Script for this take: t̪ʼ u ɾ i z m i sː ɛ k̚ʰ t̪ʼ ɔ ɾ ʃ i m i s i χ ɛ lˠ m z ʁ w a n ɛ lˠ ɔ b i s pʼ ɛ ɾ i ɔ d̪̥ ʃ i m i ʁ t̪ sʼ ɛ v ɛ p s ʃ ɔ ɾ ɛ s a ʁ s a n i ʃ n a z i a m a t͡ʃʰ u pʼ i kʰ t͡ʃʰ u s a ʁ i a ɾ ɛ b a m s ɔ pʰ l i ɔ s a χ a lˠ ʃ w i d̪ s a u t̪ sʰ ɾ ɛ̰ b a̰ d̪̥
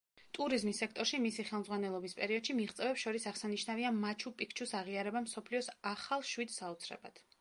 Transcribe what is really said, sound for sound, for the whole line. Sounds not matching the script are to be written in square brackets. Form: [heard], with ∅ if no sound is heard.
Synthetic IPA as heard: t̪ʼ u ɾ i z m i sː ɛ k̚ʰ t̪ʼ ɔ ɾ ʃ i m i s i χ ɛ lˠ m z ʁ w a n ɛ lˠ ɔ b i s pʼ ɛ ɾ i ɔ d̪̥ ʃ i m i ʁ t̪ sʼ ɛ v ɛ p s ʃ ɔ ɾ [i] s a ʁ s a n i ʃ n a [v] i a m a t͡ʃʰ u pʼ i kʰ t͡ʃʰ u s a ʁ i a ɾ ɛ b a m s ɔ pʰ l i ɔ s a χ a lˠ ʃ w i d̪ s a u t̪ sʰ ɾ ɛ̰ b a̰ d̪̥